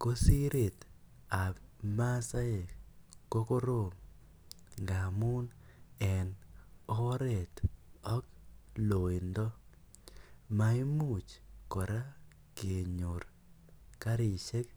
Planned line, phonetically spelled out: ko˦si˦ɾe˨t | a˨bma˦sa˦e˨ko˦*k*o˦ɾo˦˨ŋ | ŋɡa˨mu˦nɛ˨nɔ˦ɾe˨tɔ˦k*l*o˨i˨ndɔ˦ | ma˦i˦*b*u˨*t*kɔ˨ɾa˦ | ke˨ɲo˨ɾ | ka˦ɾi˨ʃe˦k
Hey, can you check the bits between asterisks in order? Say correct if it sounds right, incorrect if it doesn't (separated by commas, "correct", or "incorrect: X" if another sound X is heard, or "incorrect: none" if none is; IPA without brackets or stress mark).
correct, correct, incorrect: m, incorrect: t͡ʃ